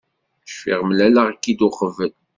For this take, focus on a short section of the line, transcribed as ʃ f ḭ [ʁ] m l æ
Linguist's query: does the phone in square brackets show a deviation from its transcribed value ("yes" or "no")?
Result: no